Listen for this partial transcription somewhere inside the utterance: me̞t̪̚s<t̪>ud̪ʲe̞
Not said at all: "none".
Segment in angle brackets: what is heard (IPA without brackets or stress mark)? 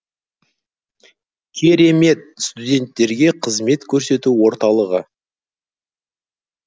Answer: t̪